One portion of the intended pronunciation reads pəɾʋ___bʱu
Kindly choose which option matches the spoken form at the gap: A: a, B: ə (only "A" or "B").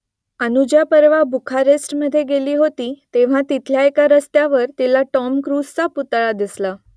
A